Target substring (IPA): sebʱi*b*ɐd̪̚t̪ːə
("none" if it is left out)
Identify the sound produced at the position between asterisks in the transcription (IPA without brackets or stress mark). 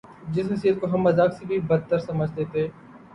b